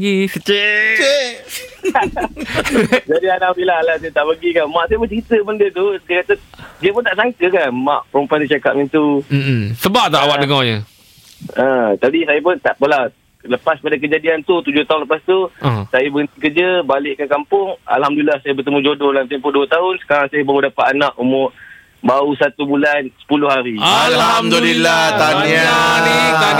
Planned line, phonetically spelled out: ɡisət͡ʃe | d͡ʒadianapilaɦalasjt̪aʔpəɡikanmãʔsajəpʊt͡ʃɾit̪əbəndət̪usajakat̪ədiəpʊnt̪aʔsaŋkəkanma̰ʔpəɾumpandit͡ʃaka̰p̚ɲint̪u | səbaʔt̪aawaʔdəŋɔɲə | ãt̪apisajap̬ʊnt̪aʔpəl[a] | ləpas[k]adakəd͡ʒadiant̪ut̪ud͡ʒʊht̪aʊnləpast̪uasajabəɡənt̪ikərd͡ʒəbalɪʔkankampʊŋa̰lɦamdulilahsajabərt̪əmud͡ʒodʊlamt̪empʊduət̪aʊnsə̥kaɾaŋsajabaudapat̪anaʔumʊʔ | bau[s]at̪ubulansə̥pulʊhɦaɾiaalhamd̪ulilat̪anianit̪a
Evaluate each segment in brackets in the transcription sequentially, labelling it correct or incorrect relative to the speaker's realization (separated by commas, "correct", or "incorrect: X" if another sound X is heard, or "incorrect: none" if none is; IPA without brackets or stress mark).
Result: correct, incorrect: p, correct